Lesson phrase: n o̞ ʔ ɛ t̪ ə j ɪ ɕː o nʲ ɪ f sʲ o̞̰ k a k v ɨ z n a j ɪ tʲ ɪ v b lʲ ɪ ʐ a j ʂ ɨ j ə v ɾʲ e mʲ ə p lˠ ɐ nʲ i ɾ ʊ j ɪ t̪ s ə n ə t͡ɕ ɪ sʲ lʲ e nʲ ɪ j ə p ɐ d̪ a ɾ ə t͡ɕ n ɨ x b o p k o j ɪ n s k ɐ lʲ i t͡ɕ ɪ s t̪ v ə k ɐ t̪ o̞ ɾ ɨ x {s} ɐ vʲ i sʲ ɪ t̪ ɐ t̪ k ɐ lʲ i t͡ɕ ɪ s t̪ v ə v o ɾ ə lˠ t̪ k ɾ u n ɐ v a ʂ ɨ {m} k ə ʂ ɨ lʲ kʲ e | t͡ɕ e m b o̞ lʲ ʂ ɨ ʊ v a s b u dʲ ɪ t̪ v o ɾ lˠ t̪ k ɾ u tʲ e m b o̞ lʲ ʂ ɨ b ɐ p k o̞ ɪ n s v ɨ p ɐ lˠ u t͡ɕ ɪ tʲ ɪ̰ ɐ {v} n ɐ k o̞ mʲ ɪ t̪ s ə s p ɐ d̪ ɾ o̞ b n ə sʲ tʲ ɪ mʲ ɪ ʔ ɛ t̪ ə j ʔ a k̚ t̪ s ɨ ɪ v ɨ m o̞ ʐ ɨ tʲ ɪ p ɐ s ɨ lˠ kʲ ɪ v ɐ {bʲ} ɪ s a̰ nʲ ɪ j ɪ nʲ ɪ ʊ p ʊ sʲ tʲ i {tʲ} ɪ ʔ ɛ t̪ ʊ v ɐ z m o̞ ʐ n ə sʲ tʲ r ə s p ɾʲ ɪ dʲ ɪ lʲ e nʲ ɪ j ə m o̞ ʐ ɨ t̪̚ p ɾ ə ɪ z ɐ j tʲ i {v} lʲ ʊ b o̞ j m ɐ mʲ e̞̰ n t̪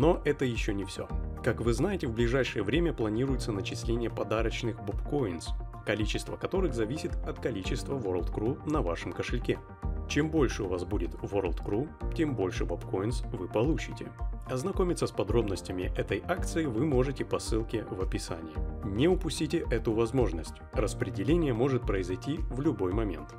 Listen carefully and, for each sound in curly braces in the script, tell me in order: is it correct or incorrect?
incorrect: z, correct, incorrect: z, incorrect: pʲ, correct, correct

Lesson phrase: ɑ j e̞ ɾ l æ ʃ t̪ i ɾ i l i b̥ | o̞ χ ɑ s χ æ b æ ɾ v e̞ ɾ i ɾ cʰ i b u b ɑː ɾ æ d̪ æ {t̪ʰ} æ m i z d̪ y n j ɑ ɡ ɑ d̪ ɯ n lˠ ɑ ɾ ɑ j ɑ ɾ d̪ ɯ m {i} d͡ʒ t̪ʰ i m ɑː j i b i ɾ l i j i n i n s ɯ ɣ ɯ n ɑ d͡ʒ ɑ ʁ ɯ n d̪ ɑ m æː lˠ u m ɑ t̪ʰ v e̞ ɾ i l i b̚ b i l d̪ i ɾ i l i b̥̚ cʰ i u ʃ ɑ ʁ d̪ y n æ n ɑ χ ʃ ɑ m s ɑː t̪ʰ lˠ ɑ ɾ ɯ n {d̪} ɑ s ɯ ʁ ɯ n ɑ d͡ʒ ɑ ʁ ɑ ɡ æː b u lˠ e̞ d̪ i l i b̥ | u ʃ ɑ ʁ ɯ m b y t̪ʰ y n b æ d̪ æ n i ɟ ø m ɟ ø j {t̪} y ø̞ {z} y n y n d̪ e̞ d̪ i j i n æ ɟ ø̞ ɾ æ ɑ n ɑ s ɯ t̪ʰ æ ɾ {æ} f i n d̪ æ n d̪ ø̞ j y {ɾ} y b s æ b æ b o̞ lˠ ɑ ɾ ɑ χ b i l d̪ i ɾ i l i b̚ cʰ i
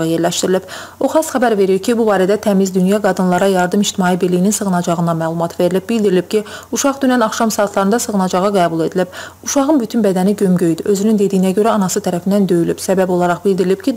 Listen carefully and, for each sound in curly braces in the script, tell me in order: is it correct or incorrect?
correct, correct, correct, incorrect: d̪, correct, correct, incorrect: l

